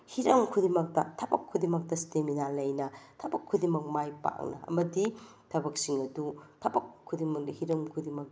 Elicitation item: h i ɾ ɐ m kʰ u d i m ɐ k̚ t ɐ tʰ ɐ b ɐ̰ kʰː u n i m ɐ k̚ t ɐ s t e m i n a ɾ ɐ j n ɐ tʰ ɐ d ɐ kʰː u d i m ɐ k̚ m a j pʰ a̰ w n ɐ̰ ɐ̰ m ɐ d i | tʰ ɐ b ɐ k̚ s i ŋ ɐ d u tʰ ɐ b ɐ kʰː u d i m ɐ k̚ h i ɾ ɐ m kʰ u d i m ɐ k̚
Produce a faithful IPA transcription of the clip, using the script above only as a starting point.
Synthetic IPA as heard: h i ɾ ɐ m kʰ u d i m ɐ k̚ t ɐ tʰ ɐ b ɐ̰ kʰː u d i m ɐ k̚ t ɐ s t e m i n a l ɐ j n ɐ tʰ ɐ b ɐ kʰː u d i m ɐ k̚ m a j p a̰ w n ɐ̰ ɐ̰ m ɐ d i | tʰ ɐ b ɐ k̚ s i ŋ ɐ d u tʰ ɐ b ɐ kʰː u d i m ɐ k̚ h i ɾ ɐ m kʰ u d i m ɐ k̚